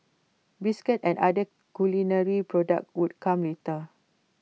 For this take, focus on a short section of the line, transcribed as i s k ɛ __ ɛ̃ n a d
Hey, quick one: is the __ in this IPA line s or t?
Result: t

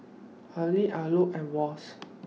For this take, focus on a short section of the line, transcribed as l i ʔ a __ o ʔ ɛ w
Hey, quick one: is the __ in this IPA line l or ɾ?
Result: l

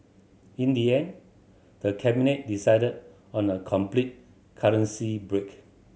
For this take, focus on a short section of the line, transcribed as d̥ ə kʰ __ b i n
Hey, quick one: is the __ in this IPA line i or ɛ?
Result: ɛ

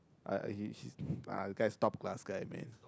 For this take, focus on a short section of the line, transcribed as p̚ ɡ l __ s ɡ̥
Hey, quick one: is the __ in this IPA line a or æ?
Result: a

